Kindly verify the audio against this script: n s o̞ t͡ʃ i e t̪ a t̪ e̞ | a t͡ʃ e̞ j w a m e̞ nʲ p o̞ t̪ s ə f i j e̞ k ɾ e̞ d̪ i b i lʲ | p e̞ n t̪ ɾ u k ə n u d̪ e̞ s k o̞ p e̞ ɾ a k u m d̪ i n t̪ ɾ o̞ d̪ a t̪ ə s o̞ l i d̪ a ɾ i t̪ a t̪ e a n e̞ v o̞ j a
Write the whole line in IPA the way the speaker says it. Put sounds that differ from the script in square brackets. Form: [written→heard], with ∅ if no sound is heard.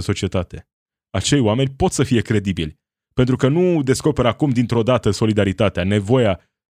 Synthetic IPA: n s o̞ t͡ʃ i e t̪ a t̪ e̞ | a t͡ʃ e̞ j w a m e̞ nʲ p o̞ t̪ s ə f i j e̞ k ɾ e̞ d̪ i b i lʲ | p e̞ n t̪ ɾ u k ə n u d̪ e̞ s k o̞ p e̞ ɾ a k u m d̪ i n t̪ ɾ o̞ d̪ a t̪ ə s o̞ l i d̪ a ɾ i t̪ a t̪ e a n e̞ v o̞ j a